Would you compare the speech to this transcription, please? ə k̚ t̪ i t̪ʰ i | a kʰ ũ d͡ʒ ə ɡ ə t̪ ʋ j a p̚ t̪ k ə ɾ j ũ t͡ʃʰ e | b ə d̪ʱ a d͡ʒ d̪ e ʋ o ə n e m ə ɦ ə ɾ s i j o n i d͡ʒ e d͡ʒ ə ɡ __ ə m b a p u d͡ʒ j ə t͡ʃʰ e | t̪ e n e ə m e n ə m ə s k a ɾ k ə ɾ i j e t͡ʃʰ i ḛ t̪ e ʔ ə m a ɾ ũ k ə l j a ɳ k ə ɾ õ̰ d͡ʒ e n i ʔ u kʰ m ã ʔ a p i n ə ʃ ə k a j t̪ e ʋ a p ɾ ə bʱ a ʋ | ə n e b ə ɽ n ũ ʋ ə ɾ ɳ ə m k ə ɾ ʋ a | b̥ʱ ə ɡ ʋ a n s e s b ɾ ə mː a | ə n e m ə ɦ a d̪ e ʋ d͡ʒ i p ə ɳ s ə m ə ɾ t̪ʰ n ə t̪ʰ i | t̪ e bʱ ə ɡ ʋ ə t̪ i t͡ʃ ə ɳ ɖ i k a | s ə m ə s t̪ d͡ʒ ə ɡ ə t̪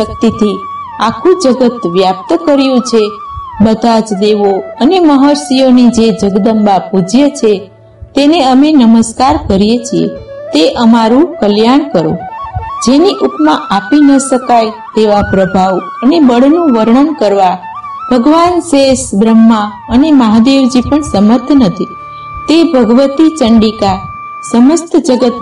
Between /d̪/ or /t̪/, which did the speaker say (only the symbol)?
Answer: d̪